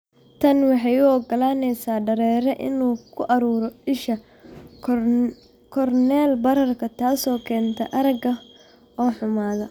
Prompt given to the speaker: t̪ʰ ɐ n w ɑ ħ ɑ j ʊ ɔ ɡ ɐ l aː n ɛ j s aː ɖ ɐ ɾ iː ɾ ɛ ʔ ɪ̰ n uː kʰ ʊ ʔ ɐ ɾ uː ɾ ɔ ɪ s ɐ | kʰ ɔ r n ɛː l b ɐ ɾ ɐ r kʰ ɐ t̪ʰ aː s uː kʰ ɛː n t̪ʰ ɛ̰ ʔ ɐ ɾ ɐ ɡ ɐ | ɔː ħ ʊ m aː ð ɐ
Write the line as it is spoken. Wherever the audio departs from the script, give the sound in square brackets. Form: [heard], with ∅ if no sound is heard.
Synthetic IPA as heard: t̪ʰ ɐ n w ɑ ħ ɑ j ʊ ɔ ɡ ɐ l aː n ɛ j s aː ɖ ɐ ɾ [ɛː] ɾ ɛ ʔ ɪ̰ n uː kʰ ʊ ʔ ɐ ɾ uː ɾ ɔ ɪ [ʃ] ɐ | kʰ ɔ r n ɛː l b ɐ ɾ ɐ r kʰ ɐ t̪ʰ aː s [ɔː] kʰ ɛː n t̪ʰ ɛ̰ ʔ ɐ ɾ ɐ ɡ ɐ | ɔː ħ ʊ m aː ð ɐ